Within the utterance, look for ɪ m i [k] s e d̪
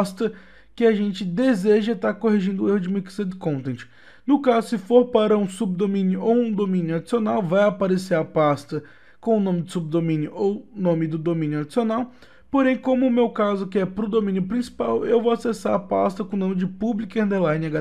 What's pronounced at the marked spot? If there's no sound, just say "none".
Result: k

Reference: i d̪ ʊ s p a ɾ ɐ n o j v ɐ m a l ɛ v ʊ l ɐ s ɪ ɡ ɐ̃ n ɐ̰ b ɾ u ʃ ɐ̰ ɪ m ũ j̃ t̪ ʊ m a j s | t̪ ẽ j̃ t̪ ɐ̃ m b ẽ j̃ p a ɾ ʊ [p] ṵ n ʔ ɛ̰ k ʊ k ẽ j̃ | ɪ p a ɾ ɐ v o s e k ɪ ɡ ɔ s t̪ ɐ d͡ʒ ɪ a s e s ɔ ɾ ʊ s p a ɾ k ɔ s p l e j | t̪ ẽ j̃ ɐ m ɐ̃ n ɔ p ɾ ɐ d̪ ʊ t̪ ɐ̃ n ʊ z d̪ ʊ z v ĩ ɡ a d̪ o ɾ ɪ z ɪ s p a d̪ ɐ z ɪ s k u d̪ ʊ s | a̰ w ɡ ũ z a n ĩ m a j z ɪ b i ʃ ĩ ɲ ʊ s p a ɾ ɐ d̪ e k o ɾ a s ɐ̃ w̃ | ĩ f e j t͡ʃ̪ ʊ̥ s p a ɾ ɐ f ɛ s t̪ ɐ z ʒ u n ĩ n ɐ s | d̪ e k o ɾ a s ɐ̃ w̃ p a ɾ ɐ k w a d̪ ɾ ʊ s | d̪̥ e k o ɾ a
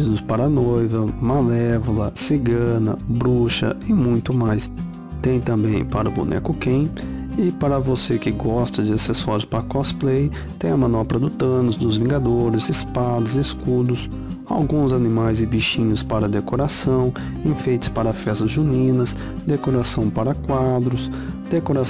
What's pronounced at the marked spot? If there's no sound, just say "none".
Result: b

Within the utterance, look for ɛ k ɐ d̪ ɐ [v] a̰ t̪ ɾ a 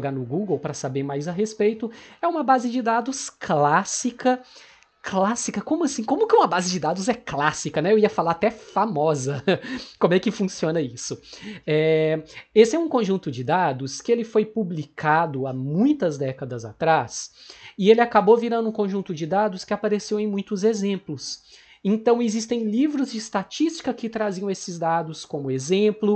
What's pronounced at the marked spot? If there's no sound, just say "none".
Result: z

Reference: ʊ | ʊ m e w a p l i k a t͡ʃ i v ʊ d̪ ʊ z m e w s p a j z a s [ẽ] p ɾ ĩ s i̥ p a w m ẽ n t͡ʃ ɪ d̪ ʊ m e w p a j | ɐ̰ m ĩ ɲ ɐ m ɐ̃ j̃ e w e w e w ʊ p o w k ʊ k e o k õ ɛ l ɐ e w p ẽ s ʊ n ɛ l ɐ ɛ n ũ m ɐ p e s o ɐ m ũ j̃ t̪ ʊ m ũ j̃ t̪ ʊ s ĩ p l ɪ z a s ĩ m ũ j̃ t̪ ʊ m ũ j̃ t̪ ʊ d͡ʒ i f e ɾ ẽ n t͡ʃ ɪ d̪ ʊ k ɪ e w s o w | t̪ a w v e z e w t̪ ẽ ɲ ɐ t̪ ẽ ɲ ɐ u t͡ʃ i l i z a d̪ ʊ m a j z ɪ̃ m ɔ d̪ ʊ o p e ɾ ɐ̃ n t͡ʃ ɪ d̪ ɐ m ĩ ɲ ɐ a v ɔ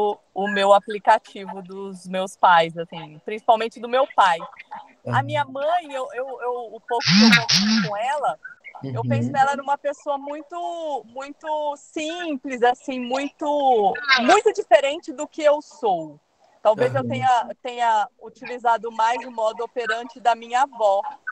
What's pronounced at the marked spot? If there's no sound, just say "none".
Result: ĩ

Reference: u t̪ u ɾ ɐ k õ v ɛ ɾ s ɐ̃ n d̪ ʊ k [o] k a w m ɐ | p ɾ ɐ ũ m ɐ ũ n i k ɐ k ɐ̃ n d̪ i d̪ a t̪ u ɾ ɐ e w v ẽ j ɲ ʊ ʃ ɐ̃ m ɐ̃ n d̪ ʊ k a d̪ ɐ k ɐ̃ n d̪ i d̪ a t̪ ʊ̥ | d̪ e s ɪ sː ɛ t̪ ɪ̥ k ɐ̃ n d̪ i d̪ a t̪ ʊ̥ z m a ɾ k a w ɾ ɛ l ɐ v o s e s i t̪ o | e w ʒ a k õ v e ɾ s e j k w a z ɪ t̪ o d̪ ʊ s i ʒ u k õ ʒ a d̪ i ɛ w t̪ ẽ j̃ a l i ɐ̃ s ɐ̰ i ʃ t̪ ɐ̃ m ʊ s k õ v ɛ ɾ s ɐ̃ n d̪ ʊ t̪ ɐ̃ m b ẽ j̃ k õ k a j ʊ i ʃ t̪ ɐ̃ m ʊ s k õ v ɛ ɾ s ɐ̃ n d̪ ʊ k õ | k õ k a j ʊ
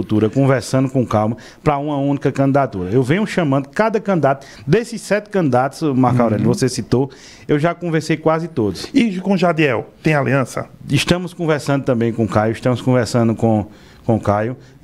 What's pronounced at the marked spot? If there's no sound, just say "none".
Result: õ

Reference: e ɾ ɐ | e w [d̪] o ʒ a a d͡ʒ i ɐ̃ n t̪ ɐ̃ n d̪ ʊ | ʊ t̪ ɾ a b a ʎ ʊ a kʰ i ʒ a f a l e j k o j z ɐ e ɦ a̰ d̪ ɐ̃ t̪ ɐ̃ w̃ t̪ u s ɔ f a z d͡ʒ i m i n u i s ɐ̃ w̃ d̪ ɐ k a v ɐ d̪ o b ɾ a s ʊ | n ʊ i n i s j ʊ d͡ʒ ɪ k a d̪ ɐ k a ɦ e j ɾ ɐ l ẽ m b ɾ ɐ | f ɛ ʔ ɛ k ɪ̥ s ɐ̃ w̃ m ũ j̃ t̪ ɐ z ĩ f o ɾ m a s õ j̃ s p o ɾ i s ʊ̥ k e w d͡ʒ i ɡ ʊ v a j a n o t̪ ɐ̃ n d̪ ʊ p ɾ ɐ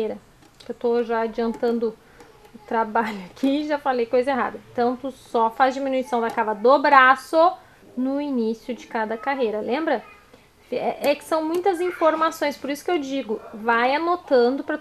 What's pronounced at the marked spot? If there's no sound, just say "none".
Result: t̪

